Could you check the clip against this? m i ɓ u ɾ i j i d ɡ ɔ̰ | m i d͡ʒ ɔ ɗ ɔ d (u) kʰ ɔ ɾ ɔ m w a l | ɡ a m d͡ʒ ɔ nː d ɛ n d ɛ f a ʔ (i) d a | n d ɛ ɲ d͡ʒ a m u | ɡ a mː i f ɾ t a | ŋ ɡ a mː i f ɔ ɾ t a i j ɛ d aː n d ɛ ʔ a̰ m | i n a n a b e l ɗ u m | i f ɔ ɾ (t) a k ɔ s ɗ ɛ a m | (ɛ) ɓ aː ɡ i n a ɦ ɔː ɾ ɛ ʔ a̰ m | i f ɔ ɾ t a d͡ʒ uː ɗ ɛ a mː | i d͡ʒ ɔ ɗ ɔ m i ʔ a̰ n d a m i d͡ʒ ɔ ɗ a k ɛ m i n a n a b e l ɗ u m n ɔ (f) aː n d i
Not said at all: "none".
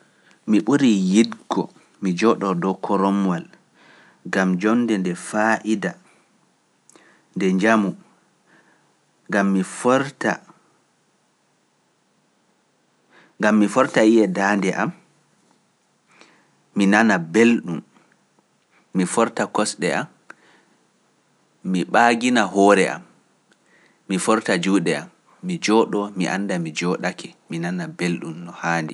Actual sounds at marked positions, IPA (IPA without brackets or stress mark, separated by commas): ɔ, i, t, i, h